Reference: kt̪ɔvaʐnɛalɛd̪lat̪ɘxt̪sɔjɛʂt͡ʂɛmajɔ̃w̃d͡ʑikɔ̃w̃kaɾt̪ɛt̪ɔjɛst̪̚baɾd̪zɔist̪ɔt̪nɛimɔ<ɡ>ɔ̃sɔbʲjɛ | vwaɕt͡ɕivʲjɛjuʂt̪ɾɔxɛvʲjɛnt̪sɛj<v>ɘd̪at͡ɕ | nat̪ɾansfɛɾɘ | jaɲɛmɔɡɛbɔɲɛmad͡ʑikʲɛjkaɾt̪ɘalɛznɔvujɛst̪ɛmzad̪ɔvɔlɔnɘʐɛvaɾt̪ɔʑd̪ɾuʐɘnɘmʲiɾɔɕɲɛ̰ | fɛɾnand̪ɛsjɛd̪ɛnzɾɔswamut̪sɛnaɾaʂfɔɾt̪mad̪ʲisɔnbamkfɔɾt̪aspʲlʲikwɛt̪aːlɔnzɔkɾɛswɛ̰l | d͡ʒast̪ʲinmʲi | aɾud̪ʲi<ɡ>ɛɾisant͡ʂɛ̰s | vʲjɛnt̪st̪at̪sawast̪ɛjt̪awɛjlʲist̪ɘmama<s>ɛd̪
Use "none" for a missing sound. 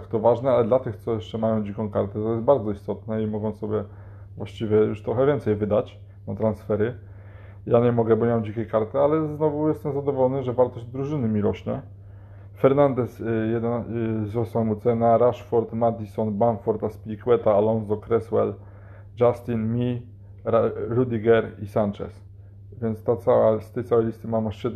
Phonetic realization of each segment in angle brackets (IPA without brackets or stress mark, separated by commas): ɡ, v, ɡ, ʂ